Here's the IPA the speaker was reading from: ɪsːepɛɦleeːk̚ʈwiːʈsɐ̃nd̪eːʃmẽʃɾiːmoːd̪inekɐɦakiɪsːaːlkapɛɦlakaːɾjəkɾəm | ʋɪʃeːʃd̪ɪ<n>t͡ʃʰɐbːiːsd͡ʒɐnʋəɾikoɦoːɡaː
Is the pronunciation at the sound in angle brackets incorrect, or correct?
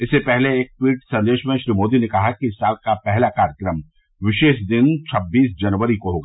correct